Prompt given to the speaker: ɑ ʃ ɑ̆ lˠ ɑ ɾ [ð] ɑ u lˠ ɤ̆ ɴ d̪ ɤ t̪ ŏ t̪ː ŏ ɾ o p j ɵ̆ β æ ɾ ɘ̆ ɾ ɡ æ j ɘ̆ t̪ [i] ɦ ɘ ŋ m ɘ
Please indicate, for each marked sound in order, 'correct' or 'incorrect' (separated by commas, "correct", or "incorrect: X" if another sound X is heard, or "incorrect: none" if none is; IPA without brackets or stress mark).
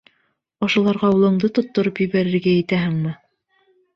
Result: incorrect: ʁ, incorrect: æ